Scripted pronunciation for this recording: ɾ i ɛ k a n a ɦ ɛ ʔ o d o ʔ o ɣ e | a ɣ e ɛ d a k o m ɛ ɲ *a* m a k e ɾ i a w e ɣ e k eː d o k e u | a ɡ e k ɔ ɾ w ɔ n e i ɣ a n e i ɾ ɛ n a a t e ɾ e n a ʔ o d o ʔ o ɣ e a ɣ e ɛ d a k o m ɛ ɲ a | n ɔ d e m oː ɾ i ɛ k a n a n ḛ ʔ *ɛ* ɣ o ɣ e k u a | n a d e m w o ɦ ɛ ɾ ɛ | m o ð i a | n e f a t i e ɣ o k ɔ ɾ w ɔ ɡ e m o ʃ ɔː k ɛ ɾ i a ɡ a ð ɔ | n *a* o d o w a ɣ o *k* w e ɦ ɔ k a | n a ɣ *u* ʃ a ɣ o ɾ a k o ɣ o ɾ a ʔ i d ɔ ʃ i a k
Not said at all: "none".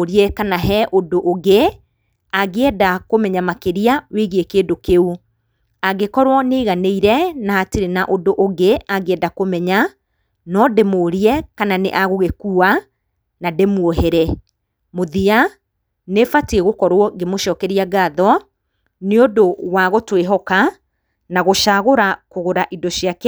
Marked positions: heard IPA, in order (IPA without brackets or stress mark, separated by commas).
a, a, e, t, o